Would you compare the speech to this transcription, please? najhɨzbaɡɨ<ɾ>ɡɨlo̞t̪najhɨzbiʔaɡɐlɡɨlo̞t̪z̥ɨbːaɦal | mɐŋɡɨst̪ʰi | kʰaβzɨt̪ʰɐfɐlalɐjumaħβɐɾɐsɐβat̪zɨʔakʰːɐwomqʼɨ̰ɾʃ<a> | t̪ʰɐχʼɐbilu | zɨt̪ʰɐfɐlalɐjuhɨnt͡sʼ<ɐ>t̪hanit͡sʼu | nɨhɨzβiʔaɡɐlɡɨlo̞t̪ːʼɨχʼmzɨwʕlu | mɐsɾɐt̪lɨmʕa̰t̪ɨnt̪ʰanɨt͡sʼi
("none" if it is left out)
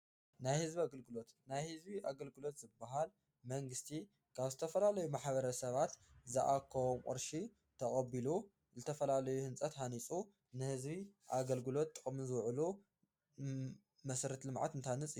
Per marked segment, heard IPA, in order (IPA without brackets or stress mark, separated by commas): l, i, ɐ